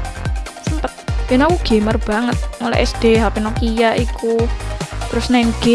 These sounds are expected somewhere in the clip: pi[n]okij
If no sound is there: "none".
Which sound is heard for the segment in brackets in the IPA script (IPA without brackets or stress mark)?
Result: n